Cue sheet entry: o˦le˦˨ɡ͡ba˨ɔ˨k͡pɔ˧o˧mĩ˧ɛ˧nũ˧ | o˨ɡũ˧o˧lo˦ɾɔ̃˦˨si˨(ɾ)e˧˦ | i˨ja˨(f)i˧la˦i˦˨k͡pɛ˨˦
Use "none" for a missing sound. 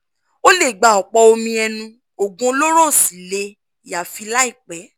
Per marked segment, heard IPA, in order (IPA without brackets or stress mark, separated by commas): l, f